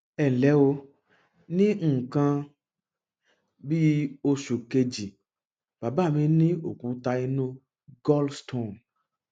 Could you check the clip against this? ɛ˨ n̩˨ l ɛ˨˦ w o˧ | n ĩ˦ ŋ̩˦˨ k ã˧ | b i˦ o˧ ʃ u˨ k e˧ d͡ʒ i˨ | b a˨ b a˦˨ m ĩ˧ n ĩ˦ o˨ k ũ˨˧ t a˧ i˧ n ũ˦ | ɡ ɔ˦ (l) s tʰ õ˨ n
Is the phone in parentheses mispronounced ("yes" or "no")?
no